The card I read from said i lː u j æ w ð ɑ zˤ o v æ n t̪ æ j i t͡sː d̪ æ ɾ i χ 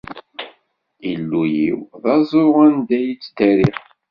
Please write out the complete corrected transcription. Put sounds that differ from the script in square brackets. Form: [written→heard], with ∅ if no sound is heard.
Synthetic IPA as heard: i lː u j [æ→i] w ð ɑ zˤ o [v→ʁ] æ n [t̪→d̪] æ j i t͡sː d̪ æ ɾ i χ